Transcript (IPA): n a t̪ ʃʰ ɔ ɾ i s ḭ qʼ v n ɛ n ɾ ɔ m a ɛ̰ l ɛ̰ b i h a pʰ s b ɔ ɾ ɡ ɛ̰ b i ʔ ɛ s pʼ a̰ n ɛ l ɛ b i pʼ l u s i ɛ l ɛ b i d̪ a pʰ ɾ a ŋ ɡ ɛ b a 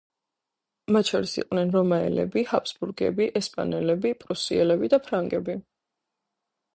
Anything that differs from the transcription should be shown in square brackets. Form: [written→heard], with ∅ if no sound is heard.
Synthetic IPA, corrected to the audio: [n→m] a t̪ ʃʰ ɔ ɾ i s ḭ qʼ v n ɛ n ɾ ɔ m a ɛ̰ l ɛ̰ b i h a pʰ s b [ɔ→u] ɾ ɡ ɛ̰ b i ʔ ɛ s pʼ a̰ n ɛ l ɛ b i pʼ [l→ɾ] u s i ɛ l ɛ b i d̪ a pʰ ɾ a ŋ ɡ ɛ b [a→i]